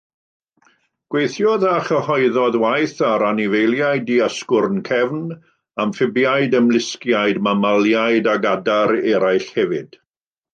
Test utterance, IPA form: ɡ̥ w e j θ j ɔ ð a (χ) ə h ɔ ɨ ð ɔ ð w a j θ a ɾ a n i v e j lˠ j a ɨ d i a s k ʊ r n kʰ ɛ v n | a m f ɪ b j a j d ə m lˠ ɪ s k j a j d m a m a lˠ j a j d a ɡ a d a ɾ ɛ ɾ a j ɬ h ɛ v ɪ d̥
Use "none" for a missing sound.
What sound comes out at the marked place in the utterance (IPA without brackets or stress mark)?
χ